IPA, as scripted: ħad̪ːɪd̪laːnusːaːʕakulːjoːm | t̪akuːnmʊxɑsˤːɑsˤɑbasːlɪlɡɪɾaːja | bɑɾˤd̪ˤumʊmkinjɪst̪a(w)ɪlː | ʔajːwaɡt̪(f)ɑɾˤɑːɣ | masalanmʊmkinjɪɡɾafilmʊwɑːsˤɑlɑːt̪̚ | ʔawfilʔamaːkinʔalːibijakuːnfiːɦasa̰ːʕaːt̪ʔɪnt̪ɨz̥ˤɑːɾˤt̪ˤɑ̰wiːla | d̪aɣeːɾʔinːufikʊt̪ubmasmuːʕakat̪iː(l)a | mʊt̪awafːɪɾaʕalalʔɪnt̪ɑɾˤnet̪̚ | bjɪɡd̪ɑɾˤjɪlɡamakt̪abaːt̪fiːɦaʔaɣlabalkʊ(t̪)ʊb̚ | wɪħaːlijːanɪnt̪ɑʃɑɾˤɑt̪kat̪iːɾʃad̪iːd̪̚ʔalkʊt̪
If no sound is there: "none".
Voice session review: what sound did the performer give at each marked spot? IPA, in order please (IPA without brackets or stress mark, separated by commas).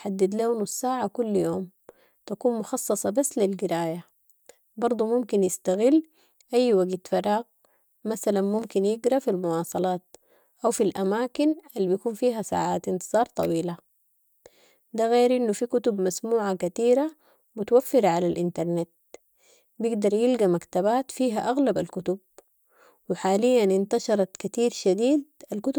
ɣ, f, ɾ, t̪